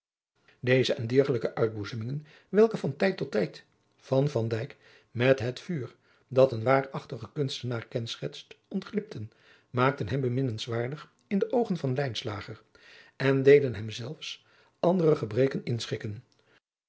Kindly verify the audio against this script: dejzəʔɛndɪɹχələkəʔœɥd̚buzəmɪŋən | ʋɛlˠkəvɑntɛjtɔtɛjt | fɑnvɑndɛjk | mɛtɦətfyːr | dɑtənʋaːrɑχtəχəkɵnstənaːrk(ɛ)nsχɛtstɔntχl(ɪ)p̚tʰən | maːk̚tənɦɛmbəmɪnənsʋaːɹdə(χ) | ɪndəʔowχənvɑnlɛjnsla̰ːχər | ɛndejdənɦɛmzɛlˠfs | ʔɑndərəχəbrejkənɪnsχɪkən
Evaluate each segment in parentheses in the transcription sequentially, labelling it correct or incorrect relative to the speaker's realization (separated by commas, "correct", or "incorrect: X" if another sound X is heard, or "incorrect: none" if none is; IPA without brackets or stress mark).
correct, correct, correct